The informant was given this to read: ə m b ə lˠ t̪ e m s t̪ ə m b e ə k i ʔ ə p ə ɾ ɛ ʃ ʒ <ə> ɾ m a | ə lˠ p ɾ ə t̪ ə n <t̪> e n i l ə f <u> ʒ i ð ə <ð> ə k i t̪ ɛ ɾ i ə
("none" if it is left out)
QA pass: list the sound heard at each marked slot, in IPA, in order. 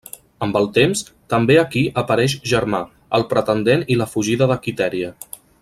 ə, d̪, u, ð

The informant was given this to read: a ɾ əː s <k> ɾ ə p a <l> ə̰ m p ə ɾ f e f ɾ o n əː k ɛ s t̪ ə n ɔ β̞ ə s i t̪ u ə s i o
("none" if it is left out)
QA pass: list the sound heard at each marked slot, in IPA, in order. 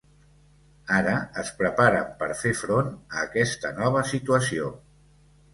p, ɾ

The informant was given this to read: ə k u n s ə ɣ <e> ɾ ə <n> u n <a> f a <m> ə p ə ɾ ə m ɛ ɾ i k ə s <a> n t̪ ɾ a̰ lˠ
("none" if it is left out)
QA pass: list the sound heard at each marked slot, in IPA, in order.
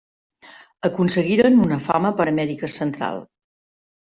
i, n, ə, m, ə

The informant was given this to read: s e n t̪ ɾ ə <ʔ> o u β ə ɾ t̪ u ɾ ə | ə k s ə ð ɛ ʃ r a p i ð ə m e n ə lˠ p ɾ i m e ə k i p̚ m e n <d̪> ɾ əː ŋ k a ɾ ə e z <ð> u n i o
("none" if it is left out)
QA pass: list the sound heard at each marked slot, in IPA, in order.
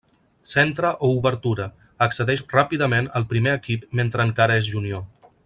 ʔ, t̪, ʒ

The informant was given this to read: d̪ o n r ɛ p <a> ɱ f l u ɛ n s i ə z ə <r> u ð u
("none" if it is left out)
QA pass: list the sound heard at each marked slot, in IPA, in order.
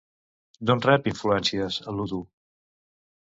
i, l

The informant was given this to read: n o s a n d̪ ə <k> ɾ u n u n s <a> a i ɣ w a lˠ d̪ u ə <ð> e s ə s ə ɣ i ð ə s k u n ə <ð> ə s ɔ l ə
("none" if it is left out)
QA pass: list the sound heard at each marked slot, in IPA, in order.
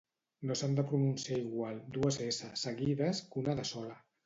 p, i, z, ð

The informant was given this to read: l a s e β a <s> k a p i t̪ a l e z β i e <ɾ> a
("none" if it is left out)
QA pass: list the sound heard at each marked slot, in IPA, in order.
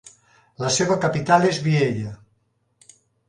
none, ʎ

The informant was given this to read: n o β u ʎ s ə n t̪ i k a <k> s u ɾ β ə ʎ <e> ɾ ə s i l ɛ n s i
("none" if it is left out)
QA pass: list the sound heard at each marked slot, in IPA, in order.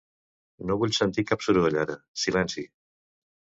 p, a

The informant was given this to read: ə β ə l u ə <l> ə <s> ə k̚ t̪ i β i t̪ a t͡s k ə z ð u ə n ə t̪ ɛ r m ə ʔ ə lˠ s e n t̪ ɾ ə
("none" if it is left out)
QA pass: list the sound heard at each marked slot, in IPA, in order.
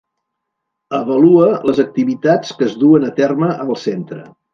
l, z

